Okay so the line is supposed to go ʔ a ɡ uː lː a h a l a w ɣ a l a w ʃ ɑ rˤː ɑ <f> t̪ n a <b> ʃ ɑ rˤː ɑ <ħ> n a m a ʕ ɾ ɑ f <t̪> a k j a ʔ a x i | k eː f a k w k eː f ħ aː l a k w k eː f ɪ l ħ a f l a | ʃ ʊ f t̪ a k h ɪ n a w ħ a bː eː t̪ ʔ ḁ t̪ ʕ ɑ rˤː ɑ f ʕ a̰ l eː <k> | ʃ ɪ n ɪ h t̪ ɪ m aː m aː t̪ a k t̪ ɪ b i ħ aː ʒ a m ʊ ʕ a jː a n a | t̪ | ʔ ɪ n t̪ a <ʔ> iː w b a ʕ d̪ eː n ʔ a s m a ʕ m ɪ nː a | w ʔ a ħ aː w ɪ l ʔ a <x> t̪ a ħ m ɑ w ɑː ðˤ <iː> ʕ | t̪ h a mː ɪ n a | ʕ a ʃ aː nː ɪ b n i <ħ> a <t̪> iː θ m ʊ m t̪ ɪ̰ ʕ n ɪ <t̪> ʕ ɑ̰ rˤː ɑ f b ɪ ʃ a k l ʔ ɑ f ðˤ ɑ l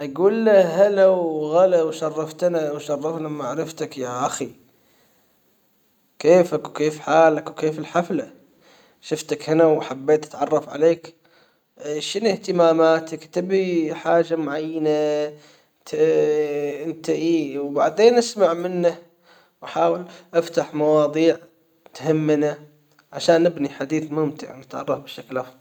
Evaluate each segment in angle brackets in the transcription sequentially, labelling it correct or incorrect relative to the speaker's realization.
correct, incorrect: w, incorrect: f, correct, correct, correct, incorrect: f, correct, correct, incorrect: d̪, correct

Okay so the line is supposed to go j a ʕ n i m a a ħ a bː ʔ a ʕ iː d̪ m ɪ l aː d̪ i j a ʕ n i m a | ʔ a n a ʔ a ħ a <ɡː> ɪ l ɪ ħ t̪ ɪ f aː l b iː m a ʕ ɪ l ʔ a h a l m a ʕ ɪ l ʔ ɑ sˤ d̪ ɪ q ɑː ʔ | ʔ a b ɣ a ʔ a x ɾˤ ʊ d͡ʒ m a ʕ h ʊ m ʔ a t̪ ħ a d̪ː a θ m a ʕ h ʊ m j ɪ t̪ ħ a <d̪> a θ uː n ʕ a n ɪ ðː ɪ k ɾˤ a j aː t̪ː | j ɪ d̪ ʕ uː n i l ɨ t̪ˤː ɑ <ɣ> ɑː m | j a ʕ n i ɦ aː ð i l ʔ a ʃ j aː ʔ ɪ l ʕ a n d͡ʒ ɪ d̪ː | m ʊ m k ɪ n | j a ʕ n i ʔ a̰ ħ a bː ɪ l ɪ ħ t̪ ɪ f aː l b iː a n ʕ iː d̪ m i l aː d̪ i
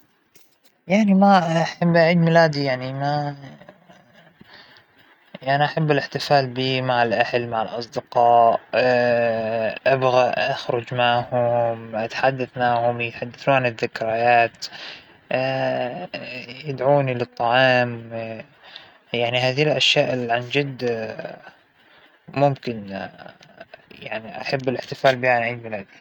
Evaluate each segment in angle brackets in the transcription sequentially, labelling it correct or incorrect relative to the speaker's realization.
incorrect: bː, incorrect: d̪ː, incorrect: ʕ

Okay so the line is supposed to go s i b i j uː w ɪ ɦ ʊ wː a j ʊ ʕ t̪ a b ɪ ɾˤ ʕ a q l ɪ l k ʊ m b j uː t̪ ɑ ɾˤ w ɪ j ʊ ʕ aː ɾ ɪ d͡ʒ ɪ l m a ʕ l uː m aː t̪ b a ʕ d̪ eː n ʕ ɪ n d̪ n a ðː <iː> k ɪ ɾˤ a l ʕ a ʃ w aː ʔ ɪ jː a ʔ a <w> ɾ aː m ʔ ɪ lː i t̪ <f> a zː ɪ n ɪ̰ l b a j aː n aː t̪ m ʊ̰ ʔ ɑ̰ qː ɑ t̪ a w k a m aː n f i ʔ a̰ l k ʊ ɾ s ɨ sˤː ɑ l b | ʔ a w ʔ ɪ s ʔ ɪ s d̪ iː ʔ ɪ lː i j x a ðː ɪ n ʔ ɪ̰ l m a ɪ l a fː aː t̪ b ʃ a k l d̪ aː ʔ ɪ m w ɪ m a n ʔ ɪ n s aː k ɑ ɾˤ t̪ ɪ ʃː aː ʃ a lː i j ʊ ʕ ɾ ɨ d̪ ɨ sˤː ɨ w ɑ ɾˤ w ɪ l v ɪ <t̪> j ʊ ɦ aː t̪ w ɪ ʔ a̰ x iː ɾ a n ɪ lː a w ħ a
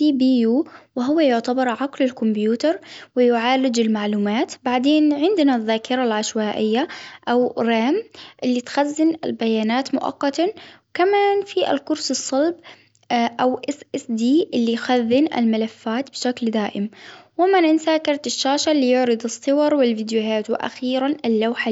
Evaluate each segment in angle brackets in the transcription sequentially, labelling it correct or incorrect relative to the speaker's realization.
incorrect: aː, correct, incorrect: x, incorrect: d̪

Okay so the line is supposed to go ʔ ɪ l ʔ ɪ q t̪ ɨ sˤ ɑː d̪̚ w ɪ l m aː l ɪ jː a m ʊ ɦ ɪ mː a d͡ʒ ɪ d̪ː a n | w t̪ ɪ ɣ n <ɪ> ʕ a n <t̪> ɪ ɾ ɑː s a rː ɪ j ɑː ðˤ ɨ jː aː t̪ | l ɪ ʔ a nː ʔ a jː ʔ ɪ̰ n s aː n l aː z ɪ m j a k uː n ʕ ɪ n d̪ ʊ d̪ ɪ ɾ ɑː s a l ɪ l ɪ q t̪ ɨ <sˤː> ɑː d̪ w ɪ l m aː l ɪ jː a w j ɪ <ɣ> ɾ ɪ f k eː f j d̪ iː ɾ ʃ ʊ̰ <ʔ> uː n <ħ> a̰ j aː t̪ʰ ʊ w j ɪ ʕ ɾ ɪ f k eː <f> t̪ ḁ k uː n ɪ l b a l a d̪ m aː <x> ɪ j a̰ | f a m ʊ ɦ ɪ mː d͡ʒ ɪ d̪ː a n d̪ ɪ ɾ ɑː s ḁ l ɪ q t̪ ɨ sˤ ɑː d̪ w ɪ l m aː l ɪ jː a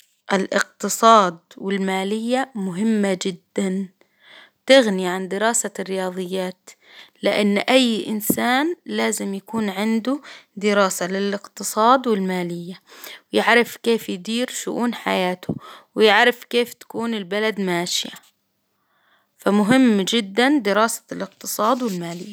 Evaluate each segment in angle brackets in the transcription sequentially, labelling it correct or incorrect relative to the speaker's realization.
incorrect: i, incorrect: d̪, incorrect: sˤ, incorrect: ʕ, correct, correct, correct, incorrect: ʃ

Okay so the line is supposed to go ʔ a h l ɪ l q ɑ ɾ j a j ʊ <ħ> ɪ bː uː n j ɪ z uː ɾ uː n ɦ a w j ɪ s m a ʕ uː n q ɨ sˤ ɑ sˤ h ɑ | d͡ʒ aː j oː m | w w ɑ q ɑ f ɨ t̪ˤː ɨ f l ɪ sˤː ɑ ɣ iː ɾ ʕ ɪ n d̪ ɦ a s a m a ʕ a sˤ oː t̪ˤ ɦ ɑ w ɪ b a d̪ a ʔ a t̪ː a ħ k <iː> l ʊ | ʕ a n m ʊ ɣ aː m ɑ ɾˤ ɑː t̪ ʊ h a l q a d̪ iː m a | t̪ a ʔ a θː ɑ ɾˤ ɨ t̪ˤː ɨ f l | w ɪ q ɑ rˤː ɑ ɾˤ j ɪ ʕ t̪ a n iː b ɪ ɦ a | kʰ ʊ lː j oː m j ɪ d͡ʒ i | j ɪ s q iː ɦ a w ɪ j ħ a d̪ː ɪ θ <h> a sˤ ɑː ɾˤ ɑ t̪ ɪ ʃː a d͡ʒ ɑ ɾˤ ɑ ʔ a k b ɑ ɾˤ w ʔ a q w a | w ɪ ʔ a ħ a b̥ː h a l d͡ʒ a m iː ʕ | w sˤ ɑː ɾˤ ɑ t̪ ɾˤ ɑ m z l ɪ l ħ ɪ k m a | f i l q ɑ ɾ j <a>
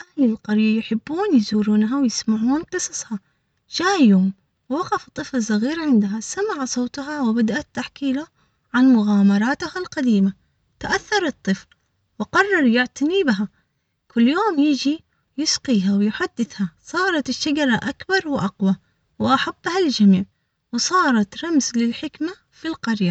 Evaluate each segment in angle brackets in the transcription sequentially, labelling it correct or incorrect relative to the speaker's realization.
correct, correct, correct, correct

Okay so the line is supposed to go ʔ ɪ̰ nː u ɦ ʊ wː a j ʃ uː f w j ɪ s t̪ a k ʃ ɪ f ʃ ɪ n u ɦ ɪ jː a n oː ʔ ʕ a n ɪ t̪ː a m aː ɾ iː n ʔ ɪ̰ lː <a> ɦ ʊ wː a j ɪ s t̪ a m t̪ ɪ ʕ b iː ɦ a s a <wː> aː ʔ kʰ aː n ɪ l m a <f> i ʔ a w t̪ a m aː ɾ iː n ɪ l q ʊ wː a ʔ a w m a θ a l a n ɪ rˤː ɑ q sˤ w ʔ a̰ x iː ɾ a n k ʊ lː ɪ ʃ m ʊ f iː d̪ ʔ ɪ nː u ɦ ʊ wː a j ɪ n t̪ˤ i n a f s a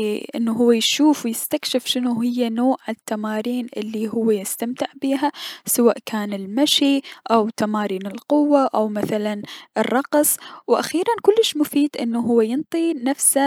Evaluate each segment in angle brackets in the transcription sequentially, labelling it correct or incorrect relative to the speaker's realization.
incorrect: i, incorrect: w, incorrect: ʃ

